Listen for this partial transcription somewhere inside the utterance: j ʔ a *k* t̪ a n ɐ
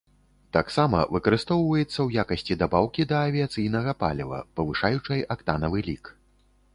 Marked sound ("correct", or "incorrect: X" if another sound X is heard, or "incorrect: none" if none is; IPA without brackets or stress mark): correct